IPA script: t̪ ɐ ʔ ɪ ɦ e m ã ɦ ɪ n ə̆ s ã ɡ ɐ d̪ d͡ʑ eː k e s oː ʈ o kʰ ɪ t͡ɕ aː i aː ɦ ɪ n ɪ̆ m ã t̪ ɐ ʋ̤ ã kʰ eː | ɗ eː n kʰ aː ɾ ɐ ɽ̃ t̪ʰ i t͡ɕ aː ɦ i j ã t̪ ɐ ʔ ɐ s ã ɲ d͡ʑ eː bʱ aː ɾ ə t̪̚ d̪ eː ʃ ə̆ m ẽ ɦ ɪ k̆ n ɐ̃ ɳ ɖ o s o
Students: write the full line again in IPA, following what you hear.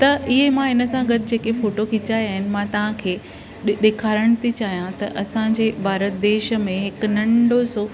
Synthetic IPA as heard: t̪ ɐ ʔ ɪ ɦ e m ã ɦ ɪ n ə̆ s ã ɡ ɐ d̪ d͡ʑ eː k e f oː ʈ o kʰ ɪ t͡ɕ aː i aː ɦ ɪ n ɪ̆ m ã t̪ ɐ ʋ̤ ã kʰ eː | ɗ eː kʰ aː ɾ ə ɽ̃ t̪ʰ i t͡ɕ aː ɦ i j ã t̪ ɐ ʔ ɐ s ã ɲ d͡ʑ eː bʱ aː ɾ ə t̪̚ d̪ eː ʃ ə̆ m ẽ ɦ ɪ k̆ n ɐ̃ ɳ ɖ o s o